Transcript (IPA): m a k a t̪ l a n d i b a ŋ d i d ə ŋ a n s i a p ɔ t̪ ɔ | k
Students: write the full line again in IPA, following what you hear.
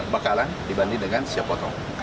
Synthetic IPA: b a k a l a n d i b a n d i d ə ŋ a n s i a p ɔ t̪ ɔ | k